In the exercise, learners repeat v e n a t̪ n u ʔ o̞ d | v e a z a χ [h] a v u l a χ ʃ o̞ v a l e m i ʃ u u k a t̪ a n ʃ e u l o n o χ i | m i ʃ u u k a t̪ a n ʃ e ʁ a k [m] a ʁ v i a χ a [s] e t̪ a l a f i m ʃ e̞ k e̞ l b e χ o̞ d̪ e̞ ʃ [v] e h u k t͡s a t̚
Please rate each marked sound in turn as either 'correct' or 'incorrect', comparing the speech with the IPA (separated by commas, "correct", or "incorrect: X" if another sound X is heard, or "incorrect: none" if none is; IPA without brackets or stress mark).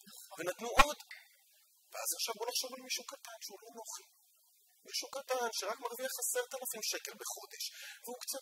incorrect: ʃ, correct, correct, correct